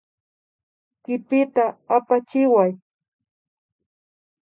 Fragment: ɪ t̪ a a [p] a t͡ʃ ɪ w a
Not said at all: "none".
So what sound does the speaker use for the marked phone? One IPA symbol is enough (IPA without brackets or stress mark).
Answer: p